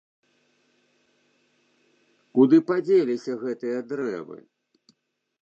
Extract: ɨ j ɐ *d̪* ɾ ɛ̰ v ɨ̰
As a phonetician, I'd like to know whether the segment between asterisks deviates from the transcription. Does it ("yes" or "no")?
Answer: no